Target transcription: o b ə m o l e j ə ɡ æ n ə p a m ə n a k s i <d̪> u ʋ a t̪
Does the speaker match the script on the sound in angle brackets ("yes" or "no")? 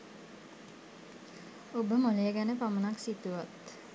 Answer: no